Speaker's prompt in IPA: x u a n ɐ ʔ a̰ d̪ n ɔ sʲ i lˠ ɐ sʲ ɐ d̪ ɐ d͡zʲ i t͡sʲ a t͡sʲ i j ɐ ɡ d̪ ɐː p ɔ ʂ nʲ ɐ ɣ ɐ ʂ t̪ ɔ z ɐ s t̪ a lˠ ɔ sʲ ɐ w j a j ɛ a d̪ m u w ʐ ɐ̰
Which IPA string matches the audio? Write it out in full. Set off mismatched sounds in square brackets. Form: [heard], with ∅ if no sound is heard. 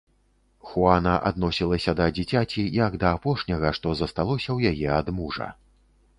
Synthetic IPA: x u a n ɐ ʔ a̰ d̪ n ɔ sʲ i lˠ ɐ sʲ ɐ d̪ ɐ d͡zʲ i t͡sʲ a t͡sʲ i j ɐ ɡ d̪ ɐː p ɔ ʂ nʲ ɐ ɣ ɐ ʂ t̪ ɔ z ɐ s t̪ a lˠ ɔ sʲ ɐ w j a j ɛ a d̪ m u [∅] ʐ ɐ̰